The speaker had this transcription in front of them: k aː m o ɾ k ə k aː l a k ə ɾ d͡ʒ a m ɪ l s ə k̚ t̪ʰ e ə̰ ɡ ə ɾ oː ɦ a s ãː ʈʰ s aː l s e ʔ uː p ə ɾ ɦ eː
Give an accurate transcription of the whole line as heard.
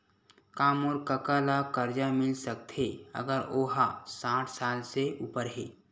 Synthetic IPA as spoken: k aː m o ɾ k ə k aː l a k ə ɾ d͡ʒ a m ɪ l s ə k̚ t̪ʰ e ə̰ ɡ ə ɾ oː ɦ a s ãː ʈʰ s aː l s e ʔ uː p ə ɾ ɦ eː